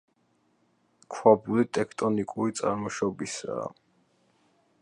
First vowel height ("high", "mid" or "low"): low